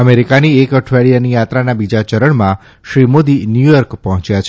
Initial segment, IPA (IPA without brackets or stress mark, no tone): ə